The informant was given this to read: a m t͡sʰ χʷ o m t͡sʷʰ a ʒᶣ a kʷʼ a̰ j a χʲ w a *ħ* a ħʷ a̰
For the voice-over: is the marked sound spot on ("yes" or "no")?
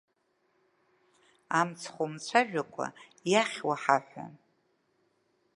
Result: yes